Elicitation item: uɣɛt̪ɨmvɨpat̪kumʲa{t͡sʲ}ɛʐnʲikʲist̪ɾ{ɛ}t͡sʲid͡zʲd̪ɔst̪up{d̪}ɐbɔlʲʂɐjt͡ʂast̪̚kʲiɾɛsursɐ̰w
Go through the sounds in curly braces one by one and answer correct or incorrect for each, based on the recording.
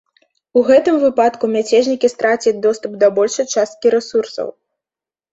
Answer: correct, incorrect, correct

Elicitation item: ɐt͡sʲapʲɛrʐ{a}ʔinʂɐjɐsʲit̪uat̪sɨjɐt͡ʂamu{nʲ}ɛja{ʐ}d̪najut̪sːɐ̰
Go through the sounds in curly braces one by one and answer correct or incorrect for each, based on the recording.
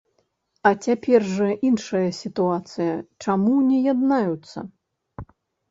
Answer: incorrect, correct, incorrect

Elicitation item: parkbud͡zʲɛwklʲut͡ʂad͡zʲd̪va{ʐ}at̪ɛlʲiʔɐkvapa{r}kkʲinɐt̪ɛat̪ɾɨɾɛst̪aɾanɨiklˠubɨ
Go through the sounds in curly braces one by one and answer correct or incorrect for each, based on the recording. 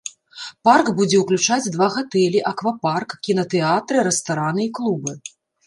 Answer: incorrect, correct

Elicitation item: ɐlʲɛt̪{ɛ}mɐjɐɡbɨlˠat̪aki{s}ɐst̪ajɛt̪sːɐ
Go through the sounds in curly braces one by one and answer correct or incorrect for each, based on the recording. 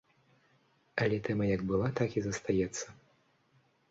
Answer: correct, incorrect

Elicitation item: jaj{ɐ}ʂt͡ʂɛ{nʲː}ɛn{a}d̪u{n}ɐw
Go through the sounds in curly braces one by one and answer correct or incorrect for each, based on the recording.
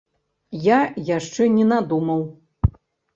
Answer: incorrect, incorrect, correct, incorrect

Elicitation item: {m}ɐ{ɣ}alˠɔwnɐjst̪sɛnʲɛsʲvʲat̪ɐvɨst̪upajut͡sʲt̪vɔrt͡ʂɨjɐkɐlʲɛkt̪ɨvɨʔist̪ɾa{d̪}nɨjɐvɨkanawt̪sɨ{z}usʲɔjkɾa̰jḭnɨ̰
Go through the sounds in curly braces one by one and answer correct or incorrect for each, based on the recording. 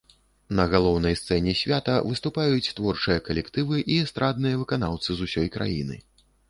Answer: incorrect, correct, correct, correct

